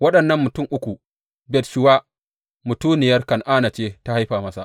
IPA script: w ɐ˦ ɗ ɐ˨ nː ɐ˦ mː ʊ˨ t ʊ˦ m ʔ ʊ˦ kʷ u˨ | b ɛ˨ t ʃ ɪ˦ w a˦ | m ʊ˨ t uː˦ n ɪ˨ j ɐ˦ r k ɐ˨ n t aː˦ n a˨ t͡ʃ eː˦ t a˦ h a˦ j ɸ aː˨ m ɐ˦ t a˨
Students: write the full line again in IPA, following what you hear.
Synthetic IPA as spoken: w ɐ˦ ɗ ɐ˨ nː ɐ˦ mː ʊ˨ t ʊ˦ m ʔ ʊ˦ kʷ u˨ | b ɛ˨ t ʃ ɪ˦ w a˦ | m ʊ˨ t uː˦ n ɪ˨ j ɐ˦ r k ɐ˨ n ʔ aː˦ n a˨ t͡ʃ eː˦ t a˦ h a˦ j ɸ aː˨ m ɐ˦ s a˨